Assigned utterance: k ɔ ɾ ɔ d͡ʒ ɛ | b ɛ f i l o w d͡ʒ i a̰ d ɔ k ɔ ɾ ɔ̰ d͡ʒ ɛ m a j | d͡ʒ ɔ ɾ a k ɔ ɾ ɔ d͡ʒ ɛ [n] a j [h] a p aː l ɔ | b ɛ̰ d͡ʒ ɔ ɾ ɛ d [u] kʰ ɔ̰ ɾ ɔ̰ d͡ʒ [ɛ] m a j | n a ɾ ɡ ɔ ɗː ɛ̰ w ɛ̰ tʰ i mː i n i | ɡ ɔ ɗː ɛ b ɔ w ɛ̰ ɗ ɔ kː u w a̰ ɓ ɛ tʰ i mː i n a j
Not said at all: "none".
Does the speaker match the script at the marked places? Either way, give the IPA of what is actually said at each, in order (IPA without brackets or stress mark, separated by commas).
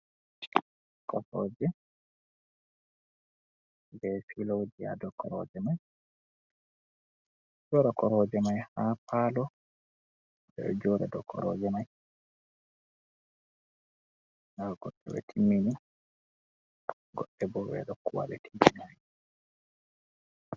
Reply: m, h, ɔ, ɛ